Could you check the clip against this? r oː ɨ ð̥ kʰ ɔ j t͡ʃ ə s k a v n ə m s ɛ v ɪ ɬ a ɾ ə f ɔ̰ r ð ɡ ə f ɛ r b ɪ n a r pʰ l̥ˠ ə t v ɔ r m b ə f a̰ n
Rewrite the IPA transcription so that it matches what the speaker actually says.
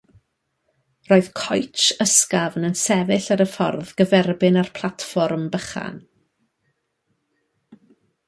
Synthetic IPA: r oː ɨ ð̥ kʰ ɔ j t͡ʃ ə s k a v n ə n s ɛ v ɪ ɬ a ɾ ə f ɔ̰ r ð ɡ ə v ɛ r b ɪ n a r pʰ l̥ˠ a t f ɔ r m b ə χ a̰ n